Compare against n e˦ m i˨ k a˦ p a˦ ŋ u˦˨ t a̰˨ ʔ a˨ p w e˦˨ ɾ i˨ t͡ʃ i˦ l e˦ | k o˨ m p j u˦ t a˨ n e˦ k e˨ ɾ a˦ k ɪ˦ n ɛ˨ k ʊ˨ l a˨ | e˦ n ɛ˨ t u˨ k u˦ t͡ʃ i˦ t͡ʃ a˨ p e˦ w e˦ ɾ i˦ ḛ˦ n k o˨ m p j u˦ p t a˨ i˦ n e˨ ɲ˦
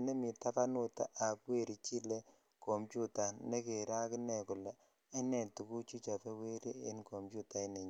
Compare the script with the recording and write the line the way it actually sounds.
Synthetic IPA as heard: n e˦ m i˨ t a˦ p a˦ n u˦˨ t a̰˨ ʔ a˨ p w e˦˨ ɾ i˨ t͡ʃ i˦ l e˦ | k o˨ m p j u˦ t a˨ n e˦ k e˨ ɾ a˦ k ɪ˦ n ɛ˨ k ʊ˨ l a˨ | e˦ n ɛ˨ t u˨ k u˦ t͡ʃ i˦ t͡ʃ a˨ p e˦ w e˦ ɾ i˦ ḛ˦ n k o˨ m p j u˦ t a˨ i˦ n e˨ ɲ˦